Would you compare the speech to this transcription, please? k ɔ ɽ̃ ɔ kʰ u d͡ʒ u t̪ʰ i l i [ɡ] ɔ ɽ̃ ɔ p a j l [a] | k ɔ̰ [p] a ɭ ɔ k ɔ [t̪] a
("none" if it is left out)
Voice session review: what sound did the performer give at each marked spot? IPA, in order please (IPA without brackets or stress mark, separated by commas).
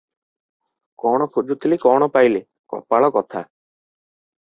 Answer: k, e, p, t̪ʰ